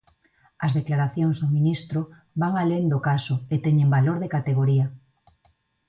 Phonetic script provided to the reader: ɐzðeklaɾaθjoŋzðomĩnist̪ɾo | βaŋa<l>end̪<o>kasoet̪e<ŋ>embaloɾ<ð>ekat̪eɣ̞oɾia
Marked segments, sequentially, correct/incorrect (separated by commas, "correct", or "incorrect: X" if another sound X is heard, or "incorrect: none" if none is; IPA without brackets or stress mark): correct, correct, incorrect: ɲ, correct